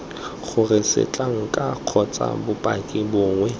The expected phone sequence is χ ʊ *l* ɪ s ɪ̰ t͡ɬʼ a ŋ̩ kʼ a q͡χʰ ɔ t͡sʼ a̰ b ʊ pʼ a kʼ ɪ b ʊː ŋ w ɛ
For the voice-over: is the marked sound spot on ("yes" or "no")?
no